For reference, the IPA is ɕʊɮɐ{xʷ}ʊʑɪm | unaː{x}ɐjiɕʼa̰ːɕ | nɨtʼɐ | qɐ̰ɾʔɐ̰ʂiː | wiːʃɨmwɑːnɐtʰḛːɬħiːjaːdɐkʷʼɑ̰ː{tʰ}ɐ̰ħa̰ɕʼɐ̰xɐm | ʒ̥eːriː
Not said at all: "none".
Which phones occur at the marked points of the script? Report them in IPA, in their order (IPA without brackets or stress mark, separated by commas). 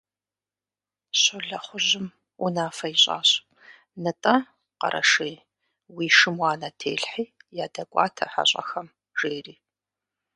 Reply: χʷ, f, tʰ